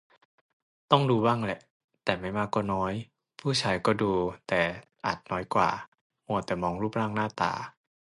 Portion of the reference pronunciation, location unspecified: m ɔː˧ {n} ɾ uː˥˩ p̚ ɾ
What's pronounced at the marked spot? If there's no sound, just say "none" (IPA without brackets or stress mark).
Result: ŋ